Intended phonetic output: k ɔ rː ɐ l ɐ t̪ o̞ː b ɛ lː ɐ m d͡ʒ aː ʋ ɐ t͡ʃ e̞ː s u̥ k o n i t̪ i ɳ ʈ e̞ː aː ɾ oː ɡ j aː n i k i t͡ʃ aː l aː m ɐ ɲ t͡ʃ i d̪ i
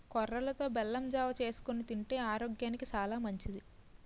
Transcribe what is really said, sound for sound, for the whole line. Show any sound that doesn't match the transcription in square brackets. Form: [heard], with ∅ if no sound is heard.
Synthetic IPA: k ɔ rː ɐ l ɐ t̪ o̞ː b ɛ lː ɐ m d͡ʒ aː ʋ ɐ t͡ʃ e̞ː s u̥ k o n i t̪ i ɳ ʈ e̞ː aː ɾ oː ɡ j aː n i k i t͡ʃ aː l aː m ɐ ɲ t͡ʃ i d̪ i